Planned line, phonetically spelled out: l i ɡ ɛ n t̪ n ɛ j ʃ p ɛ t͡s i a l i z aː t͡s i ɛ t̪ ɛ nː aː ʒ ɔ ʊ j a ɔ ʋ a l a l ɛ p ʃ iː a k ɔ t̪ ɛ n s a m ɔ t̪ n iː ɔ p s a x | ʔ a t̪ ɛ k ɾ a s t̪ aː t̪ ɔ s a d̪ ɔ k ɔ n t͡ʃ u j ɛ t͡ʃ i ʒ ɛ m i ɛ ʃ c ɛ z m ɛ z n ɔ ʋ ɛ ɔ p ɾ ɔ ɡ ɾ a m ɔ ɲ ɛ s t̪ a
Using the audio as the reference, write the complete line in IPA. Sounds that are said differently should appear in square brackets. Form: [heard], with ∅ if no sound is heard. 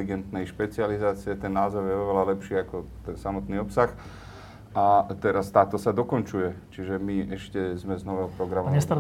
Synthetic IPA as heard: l i ɡ ɛ n t̪ n ɛ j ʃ p ɛ t͡s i a l i z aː t͡s i ɛ t̪ ɛ nː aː [z] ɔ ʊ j [ɛ] ɔ ʋ [ɛ] l a l ɛ p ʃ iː a k ɔ t̪ ɛ n s a m ɔ t̪ n iː ɔ p s a x | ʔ a t̪ ɛ [∅] ɾ a s t̪ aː t̪ ɔ s a d̪ ɔ k ɔ n t͡ʃ u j ɛ t͡ʃ i ʒ ɛ m i ɛ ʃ c ɛ z m ɛ z n ɔ ʋ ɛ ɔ p ɾ ɔ ɡ ɾ a m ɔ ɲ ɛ s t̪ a